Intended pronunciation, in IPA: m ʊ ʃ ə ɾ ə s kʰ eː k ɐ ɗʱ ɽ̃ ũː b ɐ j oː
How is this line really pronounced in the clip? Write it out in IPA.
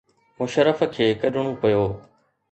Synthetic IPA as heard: m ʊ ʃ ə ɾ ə f kʰ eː k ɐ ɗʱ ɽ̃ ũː p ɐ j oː